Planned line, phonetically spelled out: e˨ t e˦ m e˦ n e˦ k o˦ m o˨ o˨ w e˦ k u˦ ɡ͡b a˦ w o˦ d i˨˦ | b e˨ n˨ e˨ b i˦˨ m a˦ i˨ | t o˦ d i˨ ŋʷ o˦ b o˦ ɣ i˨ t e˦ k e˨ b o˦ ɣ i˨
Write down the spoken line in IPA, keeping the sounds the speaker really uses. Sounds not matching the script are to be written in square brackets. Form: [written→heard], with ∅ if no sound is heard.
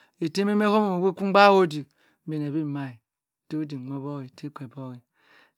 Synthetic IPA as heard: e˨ t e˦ m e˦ [n→m] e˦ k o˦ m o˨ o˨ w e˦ k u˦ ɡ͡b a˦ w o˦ d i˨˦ | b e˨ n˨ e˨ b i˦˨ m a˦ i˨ | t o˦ d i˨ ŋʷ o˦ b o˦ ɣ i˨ t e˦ k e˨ b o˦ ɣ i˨